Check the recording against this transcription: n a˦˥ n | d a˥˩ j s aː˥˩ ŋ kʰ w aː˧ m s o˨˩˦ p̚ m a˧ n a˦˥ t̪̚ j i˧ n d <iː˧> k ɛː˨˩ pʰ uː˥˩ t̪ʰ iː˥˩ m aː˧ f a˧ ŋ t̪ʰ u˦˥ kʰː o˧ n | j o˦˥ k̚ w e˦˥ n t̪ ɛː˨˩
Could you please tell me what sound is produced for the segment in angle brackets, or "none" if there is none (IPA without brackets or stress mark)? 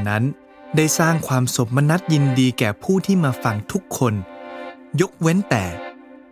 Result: iː˧